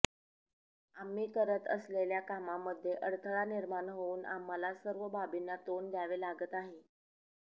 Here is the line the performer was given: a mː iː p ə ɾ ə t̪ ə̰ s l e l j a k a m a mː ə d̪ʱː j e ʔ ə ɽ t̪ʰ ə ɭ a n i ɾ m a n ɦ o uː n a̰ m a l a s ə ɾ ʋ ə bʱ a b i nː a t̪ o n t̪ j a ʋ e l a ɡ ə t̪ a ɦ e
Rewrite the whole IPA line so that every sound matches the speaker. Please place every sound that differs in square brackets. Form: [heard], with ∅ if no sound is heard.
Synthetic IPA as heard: a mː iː [k] ə ɾ ə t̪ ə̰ s l e l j a k a m a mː ə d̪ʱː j e ʔ ə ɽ t̪ʰ ə ɭ a n i ɾ m a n ɦ o uː n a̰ m a l a s ə ɾ ʋ ə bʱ a b i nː a t̪ o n [d̪] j a ʋ e l a ɡ ə t̪ a ɦ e